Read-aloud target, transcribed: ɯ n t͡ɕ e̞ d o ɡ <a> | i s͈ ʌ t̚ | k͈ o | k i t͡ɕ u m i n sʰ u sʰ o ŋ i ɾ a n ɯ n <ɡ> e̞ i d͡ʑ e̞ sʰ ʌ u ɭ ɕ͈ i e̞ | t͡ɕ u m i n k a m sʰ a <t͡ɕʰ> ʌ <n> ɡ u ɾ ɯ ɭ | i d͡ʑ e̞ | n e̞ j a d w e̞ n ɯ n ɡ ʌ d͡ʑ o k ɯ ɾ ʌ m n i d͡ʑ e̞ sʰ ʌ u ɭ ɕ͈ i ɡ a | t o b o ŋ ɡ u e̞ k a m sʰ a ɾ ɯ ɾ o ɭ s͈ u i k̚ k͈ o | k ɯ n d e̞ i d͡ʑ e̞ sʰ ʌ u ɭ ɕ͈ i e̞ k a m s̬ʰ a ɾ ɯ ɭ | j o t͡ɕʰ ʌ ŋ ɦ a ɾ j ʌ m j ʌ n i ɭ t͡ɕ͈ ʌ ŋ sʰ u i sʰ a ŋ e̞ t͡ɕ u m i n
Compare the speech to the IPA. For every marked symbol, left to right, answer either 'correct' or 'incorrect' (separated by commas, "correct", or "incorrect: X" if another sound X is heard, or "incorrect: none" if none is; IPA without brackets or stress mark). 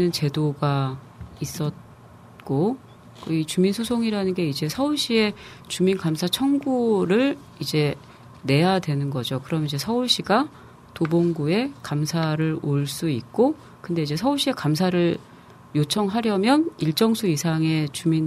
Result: correct, correct, correct, incorrect: ŋ